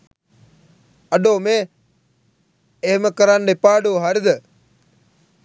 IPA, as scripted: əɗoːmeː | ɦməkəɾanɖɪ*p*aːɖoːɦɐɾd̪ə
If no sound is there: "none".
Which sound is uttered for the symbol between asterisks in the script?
p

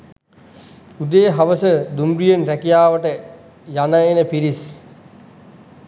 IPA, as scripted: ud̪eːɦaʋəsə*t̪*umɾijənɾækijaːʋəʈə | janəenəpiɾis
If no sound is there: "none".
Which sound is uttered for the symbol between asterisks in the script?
d̪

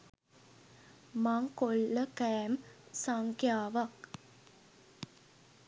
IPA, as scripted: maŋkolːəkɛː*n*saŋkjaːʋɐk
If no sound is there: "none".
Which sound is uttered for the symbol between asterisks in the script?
m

